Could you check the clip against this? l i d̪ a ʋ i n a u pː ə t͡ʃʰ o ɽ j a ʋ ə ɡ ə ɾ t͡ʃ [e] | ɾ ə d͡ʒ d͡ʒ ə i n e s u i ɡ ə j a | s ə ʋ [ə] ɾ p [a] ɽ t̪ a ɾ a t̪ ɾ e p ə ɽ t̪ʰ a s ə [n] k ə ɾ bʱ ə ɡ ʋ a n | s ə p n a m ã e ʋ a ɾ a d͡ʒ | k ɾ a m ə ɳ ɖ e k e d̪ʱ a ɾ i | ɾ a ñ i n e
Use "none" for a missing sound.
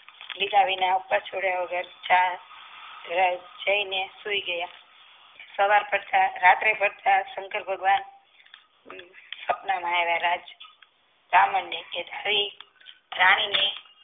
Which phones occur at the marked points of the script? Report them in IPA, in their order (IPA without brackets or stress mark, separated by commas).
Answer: a, a, ə, ŋ